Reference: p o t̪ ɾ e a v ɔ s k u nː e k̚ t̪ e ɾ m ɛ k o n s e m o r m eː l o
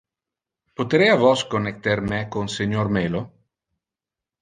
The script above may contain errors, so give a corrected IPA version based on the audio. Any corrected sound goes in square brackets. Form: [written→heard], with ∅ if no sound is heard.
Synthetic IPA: p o t̪ ɾ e a v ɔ s k [u→o] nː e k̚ t̪ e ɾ m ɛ k o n s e [m→ɲ] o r m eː l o